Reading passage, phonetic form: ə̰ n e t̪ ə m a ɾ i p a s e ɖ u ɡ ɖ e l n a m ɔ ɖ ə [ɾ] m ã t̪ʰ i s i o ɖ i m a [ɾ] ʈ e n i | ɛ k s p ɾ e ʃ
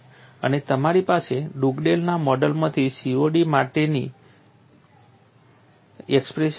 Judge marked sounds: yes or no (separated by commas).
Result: no, no